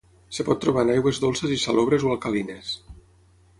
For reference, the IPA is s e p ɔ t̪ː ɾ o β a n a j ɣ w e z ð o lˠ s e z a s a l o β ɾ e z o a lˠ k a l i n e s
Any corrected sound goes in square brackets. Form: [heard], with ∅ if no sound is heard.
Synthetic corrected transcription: s e p ɔ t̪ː ɾ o β a n a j ɣ w e z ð o lˠ s e z [i] s a l o β ɾ e z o a lˠ k a l i n e s